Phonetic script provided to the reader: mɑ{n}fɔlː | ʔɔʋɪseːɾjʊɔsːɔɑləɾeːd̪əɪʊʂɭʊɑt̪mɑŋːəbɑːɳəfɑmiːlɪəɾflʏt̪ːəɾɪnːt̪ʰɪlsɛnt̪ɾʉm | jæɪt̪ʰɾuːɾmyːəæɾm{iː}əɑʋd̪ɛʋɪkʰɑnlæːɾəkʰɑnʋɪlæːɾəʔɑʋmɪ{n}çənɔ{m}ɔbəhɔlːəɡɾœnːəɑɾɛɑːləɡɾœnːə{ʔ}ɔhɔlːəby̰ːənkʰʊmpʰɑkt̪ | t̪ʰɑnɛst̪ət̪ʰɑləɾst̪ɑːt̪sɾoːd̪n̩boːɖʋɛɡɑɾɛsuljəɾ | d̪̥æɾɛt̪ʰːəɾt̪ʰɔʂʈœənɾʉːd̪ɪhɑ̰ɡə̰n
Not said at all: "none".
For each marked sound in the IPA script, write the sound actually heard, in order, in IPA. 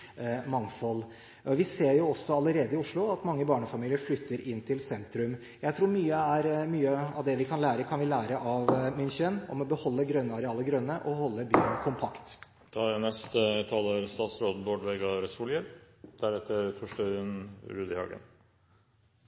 ŋ, yː, n, m, ʔ

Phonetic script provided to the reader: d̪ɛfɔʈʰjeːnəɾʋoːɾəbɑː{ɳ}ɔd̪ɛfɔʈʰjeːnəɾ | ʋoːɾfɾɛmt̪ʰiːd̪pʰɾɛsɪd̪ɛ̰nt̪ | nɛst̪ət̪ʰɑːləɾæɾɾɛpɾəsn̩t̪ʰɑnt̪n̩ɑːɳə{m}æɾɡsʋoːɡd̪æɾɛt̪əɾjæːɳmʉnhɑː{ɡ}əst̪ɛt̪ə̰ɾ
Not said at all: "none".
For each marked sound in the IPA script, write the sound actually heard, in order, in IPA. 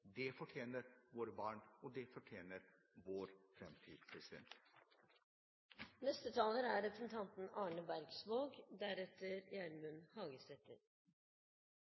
ɳ, b, ɡ

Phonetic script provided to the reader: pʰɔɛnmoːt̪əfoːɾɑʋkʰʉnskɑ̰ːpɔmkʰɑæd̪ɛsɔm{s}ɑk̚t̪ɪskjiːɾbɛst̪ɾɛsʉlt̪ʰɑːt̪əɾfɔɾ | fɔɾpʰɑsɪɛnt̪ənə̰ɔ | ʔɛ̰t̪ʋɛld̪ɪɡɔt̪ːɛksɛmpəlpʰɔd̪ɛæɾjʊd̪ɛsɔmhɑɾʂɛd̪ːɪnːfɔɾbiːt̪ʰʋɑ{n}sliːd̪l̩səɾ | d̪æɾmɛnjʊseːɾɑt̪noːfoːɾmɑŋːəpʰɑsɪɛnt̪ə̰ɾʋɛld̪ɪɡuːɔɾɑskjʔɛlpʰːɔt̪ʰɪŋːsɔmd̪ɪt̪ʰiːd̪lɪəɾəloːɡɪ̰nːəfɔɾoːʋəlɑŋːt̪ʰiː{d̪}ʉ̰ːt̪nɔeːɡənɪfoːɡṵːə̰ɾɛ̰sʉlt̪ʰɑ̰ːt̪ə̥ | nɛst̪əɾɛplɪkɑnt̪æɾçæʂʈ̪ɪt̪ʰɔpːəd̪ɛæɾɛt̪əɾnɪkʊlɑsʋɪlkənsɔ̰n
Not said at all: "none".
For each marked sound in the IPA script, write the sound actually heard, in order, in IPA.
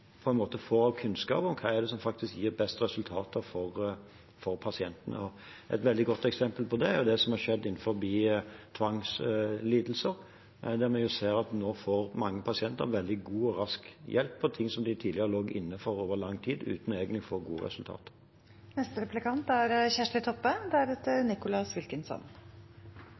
f, ŋ, d̪

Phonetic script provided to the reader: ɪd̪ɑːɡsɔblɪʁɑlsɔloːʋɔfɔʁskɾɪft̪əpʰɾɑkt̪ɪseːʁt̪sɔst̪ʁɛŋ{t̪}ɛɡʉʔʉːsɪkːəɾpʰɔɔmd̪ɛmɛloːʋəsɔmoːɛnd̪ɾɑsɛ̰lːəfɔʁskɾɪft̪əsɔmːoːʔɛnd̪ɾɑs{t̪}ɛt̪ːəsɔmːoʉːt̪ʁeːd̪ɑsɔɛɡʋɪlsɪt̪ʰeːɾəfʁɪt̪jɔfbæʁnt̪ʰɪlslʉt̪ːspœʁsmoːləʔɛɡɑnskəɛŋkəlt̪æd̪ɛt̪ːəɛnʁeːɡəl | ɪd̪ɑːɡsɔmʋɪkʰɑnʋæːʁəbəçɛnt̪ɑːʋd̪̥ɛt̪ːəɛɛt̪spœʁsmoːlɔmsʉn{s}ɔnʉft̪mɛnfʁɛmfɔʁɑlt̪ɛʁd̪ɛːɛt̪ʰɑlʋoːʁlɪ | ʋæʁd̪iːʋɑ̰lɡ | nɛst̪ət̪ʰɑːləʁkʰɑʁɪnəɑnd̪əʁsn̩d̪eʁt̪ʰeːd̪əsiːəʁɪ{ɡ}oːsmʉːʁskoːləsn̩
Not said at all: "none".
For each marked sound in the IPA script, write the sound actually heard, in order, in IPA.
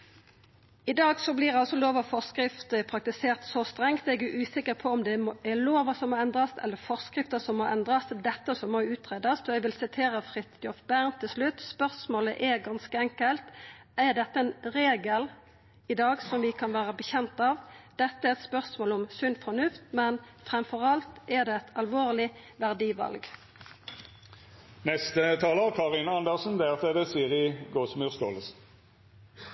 t̪, d̪, f, ɡ

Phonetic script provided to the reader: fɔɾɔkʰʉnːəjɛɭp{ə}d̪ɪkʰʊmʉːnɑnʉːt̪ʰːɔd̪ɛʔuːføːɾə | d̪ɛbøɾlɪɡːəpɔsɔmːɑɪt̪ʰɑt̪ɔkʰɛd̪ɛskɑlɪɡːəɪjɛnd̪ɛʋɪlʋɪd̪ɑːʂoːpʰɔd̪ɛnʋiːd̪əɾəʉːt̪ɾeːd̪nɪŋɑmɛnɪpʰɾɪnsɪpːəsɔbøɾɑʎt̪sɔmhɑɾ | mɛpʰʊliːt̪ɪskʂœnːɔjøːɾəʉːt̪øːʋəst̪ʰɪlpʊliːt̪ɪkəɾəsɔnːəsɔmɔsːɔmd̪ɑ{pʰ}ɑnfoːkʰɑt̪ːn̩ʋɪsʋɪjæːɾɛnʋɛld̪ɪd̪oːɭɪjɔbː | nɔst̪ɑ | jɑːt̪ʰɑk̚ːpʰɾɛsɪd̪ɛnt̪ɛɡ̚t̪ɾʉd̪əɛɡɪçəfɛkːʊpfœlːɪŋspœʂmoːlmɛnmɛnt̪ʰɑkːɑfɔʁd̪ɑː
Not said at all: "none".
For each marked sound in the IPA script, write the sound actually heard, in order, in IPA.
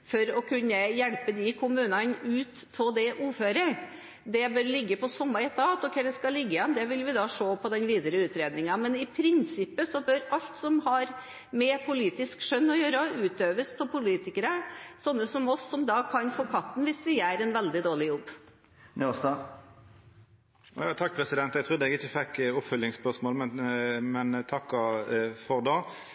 ə, kʰ

